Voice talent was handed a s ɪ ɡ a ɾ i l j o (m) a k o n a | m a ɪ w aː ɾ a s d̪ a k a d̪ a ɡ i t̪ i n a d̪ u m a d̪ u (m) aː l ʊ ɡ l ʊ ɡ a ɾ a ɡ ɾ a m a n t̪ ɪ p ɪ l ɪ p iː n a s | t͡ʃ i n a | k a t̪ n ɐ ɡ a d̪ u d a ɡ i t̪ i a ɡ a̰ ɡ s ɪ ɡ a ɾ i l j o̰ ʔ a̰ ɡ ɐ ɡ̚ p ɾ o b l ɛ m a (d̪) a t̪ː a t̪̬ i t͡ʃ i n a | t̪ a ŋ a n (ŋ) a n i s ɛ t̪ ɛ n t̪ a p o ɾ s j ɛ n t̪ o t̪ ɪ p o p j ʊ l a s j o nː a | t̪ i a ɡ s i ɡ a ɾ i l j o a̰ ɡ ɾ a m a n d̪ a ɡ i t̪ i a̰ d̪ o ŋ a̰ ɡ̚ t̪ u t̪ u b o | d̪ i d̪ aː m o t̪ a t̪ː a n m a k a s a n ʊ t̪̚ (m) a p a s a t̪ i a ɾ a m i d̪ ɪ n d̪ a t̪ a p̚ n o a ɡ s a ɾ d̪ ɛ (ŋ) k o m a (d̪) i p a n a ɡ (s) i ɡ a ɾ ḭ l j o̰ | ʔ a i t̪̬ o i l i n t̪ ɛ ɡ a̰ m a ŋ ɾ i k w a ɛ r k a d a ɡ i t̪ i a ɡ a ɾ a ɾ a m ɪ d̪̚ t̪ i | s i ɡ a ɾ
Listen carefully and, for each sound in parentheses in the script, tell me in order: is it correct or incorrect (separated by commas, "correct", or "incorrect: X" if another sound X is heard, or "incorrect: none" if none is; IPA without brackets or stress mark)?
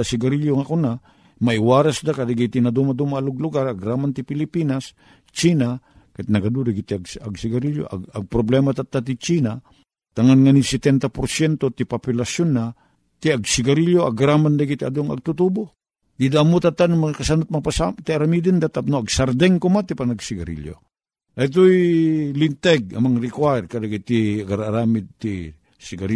incorrect: ŋ, correct, incorrect: t̪, correct, correct, correct, incorrect: t̪, correct